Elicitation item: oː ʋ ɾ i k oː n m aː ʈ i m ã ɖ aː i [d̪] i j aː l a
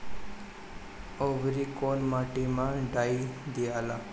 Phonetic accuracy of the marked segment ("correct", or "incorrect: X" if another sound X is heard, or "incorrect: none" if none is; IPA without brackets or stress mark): correct